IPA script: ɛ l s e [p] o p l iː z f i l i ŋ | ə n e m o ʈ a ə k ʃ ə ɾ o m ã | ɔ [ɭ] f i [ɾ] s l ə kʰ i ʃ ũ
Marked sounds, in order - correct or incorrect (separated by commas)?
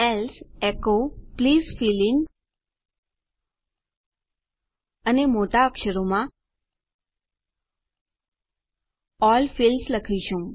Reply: incorrect, incorrect, incorrect